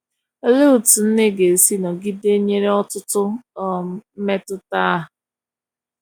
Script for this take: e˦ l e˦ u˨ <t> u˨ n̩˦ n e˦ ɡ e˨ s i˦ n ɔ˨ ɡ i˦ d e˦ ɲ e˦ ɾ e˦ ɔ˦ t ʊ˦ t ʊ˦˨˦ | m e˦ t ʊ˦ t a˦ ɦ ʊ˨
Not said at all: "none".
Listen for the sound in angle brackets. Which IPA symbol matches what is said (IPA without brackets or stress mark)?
t